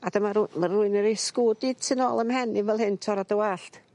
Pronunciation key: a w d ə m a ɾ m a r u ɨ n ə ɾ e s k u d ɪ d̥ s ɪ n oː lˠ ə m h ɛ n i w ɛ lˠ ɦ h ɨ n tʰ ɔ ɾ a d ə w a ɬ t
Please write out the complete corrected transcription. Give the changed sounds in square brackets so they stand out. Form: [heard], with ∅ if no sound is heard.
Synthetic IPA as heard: a [∅] d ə m a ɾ m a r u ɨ n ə ɾ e s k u d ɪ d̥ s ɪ n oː lˠ ə m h ɛ n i [v] ɛ lˠ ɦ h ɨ n tʰ ɔ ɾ a d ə w a ɬ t